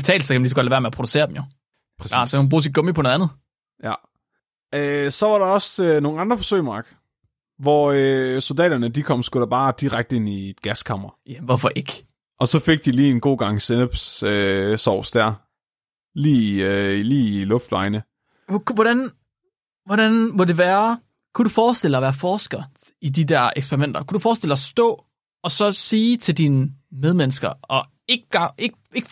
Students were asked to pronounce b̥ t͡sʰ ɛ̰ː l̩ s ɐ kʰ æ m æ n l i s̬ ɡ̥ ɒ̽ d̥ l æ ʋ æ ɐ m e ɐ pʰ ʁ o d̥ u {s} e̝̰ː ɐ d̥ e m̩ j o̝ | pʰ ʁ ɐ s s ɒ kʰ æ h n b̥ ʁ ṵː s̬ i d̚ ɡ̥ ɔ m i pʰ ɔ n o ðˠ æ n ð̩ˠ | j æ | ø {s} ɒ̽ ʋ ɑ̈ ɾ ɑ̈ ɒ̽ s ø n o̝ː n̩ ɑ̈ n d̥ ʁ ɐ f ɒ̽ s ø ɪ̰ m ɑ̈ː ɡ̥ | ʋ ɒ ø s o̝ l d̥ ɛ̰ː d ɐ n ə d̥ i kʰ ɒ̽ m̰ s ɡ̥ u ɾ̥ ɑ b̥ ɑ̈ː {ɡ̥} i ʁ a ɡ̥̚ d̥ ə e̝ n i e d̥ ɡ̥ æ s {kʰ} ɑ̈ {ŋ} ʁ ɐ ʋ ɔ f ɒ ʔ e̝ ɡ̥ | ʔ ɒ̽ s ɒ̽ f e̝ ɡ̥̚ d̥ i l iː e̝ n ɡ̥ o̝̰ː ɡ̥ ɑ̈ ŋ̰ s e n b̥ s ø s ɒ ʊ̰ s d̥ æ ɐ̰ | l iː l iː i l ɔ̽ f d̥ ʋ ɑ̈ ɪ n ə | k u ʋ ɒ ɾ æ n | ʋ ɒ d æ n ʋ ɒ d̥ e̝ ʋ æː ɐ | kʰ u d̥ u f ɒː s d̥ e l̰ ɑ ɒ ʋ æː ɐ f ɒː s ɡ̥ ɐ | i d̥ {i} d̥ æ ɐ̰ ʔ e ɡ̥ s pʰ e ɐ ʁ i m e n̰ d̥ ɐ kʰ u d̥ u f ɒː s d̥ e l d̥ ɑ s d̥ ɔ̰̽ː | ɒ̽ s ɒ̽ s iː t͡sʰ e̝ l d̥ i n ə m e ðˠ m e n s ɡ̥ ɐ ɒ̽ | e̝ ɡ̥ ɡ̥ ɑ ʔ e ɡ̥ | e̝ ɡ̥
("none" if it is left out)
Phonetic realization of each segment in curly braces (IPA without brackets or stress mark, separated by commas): s, s, d̥, kʰ, m, i